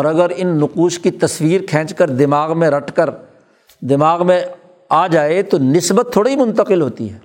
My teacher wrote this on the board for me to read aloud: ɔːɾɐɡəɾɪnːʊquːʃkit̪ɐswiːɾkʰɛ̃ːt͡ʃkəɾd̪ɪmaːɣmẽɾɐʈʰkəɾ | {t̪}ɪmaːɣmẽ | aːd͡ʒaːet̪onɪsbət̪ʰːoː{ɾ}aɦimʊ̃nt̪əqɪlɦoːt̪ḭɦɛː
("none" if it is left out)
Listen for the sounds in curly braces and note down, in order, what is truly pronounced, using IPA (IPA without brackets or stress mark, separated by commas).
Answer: d̪, ɽ